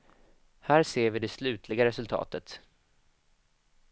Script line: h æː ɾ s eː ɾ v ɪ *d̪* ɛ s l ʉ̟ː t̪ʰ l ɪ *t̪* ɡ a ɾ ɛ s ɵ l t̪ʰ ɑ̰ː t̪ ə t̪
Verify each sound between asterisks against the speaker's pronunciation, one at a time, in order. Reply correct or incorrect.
correct, incorrect: none

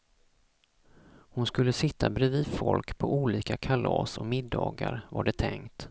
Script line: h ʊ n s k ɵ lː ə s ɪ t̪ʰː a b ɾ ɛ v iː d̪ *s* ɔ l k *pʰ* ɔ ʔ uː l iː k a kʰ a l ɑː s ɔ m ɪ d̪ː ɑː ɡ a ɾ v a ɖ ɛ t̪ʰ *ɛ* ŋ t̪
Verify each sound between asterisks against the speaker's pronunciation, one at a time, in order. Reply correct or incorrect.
incorrect: f, correct, correct

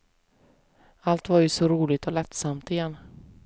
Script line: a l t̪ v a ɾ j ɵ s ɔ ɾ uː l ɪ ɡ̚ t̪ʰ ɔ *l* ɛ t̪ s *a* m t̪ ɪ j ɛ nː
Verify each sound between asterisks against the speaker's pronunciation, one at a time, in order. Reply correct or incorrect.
correct, correct

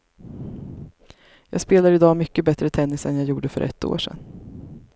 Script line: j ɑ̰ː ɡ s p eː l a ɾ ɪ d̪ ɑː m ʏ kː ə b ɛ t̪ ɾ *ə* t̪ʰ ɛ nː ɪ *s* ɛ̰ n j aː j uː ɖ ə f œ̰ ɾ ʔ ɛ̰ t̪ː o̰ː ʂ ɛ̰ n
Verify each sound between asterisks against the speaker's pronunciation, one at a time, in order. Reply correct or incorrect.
correct, correct

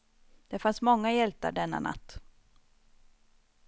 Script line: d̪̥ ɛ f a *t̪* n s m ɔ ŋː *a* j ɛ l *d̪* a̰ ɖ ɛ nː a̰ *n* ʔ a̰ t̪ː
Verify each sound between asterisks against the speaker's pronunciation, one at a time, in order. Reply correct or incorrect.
incorrect: none, correct, incorrect: t̪, correct

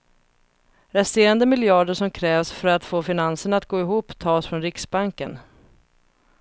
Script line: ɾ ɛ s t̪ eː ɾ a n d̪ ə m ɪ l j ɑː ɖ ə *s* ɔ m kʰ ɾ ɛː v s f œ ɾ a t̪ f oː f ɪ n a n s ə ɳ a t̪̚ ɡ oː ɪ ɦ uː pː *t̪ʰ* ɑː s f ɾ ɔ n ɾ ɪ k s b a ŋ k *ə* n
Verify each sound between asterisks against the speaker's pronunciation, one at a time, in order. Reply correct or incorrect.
incorrect: ʂ, correct, correct

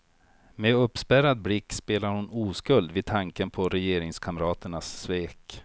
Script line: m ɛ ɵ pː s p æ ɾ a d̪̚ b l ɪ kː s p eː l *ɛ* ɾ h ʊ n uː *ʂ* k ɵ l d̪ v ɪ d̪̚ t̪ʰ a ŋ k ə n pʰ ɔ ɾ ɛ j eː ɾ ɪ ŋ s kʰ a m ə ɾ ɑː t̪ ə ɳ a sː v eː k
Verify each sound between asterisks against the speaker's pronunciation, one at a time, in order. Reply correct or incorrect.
incorrect: a, incorrect: s

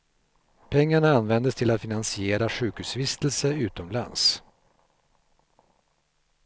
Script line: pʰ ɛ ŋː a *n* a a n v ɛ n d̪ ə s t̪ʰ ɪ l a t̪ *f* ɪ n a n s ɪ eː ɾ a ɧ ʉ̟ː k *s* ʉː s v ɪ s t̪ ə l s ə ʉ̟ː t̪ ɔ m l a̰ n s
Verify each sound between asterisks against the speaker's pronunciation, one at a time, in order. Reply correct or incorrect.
incorrect: ɳ, correct, incorrect: h

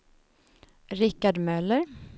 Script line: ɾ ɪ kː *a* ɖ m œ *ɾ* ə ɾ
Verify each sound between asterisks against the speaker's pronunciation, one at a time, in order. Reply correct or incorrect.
correct, incorrect: l

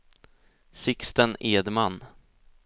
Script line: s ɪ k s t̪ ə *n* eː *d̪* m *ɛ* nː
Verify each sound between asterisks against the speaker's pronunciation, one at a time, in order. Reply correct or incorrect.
correct, correct, incorrect: a

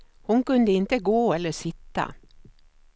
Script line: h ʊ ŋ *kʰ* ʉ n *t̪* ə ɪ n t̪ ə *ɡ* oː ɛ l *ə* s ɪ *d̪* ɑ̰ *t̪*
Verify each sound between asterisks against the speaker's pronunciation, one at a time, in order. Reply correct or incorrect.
incorrect: k, incorrect: d̪, correct, correct, incorrect: t̪, incorrect: none

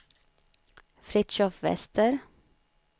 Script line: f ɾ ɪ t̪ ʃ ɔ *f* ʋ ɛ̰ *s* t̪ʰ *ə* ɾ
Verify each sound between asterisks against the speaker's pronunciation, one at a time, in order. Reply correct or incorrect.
correct, correct, correct

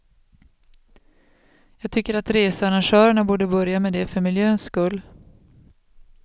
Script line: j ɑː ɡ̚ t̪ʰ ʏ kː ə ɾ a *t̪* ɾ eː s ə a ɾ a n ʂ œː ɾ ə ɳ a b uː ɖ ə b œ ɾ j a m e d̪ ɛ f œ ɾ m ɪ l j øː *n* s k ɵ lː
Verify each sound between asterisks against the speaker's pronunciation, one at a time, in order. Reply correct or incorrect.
correct, correct

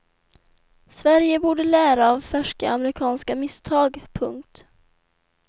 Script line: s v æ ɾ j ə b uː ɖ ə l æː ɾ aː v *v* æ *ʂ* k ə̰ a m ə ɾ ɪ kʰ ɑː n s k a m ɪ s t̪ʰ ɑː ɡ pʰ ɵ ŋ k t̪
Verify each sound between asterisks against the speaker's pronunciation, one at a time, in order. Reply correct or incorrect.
incorrect: f, correct

